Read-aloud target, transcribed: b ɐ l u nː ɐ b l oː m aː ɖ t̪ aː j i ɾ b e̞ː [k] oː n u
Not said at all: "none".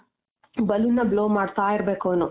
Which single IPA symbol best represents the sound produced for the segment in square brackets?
k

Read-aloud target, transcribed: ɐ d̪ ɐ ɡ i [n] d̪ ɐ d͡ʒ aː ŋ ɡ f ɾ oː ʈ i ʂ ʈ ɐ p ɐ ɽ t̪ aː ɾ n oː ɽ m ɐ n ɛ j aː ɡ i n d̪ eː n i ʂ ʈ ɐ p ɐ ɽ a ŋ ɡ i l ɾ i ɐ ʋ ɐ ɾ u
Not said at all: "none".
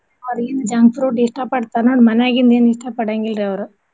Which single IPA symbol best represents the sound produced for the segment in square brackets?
n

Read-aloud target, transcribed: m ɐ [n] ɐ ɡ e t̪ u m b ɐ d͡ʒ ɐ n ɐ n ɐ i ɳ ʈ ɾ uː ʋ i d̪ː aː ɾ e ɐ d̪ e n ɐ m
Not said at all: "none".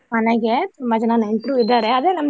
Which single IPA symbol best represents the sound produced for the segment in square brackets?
n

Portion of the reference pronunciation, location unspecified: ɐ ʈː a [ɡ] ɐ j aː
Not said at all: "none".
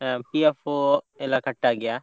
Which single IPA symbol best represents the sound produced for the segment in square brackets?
ɡ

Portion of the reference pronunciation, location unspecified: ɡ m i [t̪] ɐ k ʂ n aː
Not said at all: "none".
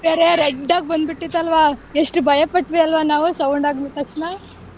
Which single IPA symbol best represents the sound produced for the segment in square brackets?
t̪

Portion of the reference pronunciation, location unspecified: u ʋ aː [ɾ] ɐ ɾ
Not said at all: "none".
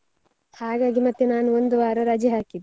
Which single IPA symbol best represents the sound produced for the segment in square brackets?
ɾ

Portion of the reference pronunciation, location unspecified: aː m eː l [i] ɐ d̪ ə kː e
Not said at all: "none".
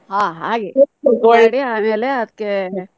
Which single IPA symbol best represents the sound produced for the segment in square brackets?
e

